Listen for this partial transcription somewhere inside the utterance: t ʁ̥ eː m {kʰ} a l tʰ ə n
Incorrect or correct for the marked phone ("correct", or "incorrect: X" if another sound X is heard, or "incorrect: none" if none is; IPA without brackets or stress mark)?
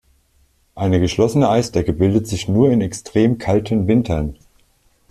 correct